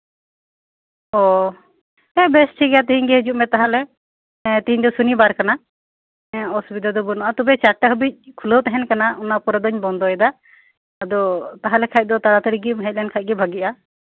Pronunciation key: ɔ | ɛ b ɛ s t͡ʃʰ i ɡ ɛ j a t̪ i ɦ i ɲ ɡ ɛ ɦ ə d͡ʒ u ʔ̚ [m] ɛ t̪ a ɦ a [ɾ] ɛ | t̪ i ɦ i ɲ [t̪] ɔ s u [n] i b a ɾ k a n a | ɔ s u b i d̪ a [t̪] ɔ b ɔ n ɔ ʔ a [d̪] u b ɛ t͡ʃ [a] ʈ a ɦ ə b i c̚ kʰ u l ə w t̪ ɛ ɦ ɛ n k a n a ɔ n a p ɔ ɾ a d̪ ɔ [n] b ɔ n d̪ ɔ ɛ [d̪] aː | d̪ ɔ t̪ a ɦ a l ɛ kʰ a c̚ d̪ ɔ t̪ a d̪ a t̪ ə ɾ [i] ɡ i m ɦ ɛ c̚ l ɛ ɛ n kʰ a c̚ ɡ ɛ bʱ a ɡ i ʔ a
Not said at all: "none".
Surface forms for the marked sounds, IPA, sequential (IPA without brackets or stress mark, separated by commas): m, l, d̪, n, d̪, t̪, a, ɲ, d̪, i